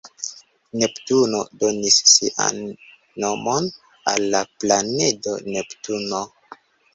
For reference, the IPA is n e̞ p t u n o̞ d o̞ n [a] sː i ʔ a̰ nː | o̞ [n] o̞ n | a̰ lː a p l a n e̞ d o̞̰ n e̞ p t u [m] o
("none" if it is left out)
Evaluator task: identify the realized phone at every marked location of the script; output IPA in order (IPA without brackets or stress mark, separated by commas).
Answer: i, m, n